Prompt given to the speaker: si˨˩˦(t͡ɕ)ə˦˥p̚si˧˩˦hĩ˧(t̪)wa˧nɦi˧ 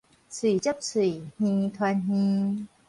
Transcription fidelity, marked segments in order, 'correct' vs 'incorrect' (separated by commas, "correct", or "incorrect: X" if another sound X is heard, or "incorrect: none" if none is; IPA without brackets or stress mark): correct, incorrect: t̪ʰ